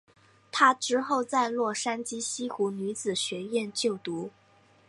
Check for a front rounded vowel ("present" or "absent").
present